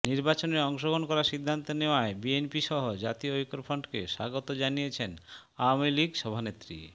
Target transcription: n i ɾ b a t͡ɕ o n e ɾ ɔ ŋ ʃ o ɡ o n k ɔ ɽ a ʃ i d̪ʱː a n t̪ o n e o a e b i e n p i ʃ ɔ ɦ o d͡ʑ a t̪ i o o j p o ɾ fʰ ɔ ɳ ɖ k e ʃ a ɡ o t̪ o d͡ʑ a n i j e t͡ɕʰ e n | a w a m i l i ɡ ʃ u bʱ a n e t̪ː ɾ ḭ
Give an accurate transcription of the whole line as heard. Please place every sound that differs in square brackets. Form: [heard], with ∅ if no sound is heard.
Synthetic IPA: n i ɾ b a t͡ɕ o n e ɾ ɔ ŋ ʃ o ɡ o n k ɔ [ɾ] a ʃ i d̪ʱː a n t̪ o n e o a e b i e n p i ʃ ɔ ɦ o d͡ʑ a t̪ i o o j [k] o ɾ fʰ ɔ ɳ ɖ k e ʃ a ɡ o t̪ o d͡ʑ a n i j e t͡ɕʰ e n | a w a m i l i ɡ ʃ [ɔ] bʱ a n e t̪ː ɾ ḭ